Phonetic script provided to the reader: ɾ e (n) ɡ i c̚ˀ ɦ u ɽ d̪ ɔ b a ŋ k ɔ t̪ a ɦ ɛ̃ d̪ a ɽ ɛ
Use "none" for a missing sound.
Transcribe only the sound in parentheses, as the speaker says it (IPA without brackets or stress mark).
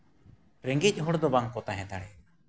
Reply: ŋ